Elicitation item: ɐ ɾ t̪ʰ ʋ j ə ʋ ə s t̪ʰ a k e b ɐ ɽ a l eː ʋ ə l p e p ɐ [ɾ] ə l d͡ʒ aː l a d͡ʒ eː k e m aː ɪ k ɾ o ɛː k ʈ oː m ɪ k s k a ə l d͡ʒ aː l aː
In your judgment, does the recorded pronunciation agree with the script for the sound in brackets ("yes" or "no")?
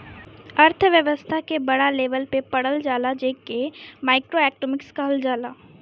no